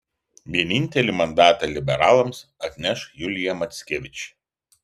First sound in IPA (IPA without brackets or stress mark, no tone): ʋʲ